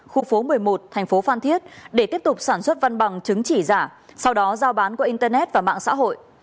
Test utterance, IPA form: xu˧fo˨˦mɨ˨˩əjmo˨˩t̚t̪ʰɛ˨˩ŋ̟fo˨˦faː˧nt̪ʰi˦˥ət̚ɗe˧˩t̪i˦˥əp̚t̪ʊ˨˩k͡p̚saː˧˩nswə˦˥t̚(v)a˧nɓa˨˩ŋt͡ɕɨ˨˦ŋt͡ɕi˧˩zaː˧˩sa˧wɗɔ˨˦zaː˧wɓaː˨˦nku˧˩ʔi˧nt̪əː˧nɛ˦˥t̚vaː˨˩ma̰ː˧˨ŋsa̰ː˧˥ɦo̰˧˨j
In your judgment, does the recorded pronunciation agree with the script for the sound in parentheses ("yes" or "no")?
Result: yes